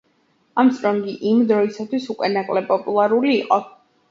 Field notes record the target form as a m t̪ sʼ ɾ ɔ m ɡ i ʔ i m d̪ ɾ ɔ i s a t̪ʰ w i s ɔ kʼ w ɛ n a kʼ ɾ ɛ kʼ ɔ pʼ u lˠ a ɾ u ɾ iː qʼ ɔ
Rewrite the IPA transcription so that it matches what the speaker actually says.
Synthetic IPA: a m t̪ sʼ ɾ ɔ ŋ ɡ i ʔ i m d̪ ɾ ɔ i s a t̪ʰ w i s u kʼ w ɛ n a kʼ l ɛ pʼ ɔ pʼ u lˠ a ɾ u l iː qʼ ɔ